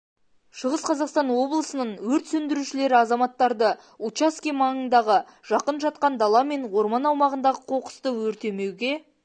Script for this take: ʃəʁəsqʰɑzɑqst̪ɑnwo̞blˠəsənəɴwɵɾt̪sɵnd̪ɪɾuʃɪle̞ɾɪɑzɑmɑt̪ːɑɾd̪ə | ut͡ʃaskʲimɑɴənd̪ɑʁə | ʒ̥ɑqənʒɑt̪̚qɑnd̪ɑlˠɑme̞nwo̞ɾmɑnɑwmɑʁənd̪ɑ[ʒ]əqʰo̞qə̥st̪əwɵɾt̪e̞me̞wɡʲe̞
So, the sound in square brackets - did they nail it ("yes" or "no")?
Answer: no